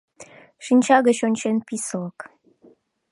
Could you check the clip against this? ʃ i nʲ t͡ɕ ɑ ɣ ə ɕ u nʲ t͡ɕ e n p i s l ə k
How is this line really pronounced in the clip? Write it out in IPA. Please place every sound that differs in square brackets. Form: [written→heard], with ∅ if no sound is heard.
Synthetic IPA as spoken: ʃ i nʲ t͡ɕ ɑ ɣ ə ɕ [u→o] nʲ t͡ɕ e n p i s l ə k